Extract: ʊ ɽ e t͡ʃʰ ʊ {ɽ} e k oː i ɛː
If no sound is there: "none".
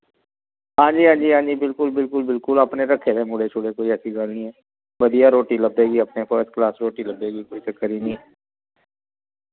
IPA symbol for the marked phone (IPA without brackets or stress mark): ɽ